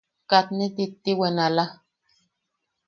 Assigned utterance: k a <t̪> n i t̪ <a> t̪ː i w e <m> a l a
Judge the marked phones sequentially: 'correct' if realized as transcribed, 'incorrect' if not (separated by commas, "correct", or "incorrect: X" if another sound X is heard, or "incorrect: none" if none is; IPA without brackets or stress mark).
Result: correct, incorrect: i, incorrect: n